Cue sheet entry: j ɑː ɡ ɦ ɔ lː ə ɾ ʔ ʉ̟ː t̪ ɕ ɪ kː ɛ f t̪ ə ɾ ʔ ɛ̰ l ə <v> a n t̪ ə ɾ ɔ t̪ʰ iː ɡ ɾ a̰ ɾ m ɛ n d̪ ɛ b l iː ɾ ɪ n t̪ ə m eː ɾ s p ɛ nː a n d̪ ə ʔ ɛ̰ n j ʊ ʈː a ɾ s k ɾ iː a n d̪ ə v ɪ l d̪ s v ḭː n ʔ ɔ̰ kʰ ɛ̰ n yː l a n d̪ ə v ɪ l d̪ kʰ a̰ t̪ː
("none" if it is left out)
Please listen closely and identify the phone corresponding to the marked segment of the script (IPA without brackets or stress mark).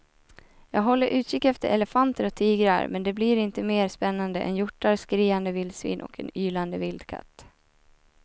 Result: f